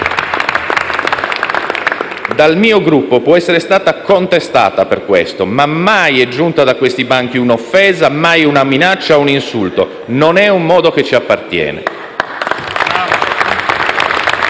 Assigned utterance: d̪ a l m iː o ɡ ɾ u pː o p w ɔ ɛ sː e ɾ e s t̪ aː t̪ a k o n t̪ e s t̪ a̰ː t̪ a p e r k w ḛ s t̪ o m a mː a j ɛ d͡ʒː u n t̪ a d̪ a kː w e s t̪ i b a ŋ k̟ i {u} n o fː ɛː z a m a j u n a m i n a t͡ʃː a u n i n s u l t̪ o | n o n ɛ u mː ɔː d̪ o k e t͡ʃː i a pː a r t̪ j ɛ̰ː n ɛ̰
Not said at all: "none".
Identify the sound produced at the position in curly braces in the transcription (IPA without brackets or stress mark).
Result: u